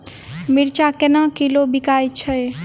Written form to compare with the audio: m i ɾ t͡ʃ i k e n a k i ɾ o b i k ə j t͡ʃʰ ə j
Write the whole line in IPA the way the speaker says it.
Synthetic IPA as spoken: m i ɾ t͡ʃ a k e n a k i l o b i k a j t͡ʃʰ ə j